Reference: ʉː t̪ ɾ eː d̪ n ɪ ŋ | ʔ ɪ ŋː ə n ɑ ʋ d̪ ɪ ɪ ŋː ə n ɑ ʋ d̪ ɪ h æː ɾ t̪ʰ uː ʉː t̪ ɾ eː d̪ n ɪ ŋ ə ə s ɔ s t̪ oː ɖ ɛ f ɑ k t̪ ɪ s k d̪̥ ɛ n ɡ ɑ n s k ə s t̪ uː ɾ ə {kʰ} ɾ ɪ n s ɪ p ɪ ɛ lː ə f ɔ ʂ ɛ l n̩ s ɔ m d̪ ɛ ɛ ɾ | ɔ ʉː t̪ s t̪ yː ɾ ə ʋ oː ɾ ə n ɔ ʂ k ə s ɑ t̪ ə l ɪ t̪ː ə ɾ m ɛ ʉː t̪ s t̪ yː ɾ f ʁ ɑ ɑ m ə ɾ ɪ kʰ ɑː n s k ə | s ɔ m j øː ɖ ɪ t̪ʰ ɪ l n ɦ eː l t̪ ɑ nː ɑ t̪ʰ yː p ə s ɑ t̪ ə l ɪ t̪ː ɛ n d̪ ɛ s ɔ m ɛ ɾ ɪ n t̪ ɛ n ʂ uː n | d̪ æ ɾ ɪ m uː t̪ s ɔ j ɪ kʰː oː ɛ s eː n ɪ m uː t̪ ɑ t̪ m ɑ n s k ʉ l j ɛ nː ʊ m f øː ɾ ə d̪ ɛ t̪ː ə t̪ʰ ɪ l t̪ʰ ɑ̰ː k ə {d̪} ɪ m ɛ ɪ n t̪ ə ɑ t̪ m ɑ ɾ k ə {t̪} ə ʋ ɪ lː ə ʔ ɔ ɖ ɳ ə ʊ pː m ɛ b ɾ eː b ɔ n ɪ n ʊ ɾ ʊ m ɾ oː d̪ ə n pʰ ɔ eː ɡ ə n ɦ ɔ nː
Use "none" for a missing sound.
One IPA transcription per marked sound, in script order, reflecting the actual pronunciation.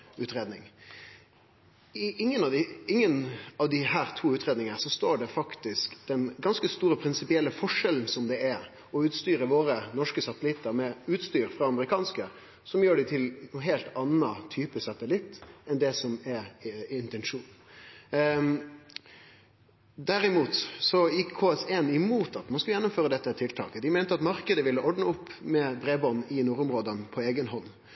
pʰ, d̪, d̪

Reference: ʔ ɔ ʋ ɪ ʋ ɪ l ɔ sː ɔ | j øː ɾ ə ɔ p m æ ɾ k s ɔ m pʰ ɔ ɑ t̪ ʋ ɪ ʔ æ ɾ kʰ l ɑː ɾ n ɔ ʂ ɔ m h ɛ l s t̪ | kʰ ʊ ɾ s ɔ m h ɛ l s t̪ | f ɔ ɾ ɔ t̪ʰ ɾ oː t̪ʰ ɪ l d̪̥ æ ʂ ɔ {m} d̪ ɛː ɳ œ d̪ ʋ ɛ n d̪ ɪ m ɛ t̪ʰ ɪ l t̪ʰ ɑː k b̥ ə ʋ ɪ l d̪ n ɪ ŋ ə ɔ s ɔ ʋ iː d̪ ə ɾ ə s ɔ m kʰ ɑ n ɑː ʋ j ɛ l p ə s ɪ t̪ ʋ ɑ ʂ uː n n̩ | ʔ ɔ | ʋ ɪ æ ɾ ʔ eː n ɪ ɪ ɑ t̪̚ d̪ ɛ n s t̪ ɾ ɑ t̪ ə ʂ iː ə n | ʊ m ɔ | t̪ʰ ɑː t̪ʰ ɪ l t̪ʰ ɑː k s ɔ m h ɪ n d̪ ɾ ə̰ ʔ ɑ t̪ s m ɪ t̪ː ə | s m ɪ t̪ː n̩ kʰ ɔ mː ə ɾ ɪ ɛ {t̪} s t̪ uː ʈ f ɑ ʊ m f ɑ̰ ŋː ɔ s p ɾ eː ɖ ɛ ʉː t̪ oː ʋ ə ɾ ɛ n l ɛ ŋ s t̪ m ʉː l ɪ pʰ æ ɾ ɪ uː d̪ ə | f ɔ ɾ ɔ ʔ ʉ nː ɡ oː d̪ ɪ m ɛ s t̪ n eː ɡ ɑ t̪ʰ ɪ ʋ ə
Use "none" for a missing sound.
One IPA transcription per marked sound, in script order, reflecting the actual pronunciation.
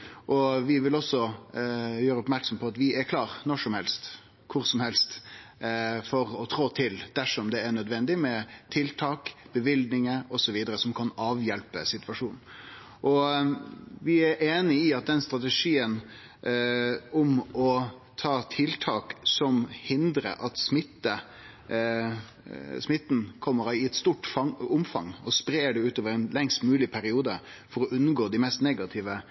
m, t̪

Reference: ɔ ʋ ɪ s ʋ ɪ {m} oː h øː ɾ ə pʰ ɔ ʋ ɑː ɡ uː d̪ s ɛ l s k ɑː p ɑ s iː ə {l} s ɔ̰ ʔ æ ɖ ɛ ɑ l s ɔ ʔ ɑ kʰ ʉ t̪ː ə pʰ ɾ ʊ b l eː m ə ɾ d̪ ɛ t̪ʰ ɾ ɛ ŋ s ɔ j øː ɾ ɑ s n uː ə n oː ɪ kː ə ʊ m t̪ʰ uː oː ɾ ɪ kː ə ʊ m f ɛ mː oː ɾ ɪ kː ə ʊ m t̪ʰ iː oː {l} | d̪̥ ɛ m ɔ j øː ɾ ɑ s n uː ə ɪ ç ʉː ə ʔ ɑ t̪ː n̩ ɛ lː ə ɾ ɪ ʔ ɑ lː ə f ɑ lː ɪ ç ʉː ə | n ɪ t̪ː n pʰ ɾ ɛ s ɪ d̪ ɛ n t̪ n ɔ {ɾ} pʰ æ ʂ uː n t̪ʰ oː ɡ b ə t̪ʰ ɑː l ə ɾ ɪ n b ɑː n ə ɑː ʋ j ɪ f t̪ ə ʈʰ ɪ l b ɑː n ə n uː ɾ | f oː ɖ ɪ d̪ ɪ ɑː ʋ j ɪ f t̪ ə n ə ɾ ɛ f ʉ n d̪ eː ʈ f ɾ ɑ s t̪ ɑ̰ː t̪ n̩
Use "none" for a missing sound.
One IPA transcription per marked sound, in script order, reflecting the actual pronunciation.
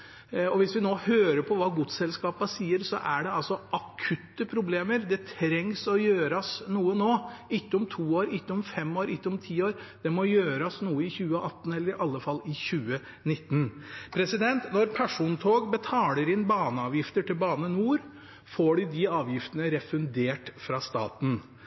n, ɾ, ɾ, ɾ

